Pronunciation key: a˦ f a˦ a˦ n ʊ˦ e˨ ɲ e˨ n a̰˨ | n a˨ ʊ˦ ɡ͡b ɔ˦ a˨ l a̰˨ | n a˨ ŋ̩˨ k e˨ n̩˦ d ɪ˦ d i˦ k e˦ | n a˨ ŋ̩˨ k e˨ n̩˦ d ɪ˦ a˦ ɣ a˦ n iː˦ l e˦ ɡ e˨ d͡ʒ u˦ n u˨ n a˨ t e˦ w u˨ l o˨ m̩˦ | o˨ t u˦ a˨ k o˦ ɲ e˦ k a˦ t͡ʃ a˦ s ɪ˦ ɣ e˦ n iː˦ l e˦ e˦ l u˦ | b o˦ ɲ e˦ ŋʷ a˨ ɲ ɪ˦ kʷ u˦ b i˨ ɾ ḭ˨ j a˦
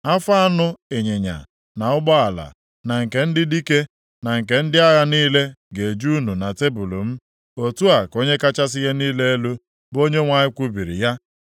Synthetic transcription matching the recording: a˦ f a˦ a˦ n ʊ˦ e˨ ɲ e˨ ɲ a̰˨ | n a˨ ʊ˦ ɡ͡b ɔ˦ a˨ l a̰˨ | n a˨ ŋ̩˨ k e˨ n̩˦ d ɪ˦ d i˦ k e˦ | n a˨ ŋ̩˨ k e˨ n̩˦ d ɪ˦ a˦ ɣ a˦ n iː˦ l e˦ ɡ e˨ d͡ʒ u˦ n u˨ n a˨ t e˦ b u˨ l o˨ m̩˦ | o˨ t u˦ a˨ k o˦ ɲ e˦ k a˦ t͡ʃ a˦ s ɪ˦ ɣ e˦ n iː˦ l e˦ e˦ l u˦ | b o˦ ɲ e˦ ŋʷ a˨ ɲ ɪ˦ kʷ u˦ b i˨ ɾ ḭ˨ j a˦